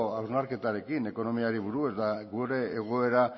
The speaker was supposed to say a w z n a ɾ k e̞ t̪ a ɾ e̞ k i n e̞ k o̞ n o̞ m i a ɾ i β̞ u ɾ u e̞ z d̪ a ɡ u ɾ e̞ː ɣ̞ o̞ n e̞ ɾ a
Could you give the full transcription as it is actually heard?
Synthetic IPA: a w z n a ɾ k e̞ t̪ a ɾ e̞ k i n e̞ k o̞ n o̞ m i a ɾ i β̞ u ɾ u e̞ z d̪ a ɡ u ɾ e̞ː ɣ̞ o̞ e̞ ɾ a